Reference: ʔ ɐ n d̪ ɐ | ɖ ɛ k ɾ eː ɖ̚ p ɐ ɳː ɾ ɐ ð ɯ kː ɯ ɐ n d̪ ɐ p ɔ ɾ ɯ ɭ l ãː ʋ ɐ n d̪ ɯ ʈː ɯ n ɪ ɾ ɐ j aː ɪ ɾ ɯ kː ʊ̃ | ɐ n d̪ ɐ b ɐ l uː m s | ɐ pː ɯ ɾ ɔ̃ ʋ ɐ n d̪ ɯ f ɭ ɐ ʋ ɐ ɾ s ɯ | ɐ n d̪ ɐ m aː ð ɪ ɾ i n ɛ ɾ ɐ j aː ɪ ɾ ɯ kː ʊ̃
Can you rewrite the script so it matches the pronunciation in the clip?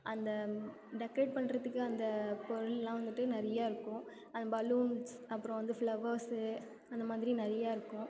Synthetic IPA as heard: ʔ ɐ n d̪ ɐ | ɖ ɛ k ɾ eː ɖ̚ p ɐ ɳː ɾ ɐ ð ɯ kː ɯ ɐ n d̪ ɐ p ɔ ɾ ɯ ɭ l ãː ʋ ɐ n d̪ ɯ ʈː ɯ n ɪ ɾ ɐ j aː ɪ ɾ ɯ kː ʊ̃ | ɐ n d̪ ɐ b ɐ l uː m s | ɐ pː ɯ ɾ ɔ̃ ʋ ɐ n d̪ ɯ f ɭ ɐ ʋ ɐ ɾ s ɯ | ɐ n d̪ ɐ m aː ð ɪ ɾ i n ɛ ɾ ɐ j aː ɪ ɾ ɯ kː ʊ̃